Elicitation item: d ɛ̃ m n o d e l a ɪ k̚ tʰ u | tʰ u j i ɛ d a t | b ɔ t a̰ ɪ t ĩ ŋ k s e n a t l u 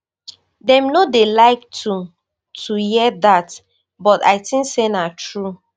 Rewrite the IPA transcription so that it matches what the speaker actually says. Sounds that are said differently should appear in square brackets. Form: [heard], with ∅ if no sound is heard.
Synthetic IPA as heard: d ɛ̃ m n o d e l a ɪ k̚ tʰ u | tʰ u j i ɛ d a t | b ɔ t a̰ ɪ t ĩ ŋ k s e n a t [ɹ] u